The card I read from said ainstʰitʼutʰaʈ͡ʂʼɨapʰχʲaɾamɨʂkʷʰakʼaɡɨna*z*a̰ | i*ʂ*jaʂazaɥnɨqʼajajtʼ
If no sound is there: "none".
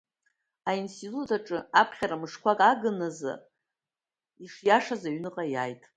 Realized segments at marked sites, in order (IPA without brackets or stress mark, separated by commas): z, ʂ